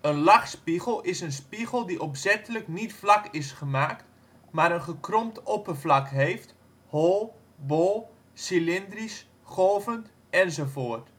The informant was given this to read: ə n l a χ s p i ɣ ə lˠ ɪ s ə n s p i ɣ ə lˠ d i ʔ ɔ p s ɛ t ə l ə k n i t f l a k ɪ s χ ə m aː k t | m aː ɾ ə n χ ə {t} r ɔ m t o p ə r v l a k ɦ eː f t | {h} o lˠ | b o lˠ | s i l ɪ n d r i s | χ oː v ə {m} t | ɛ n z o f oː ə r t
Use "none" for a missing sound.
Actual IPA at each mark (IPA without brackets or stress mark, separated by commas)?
k, h, n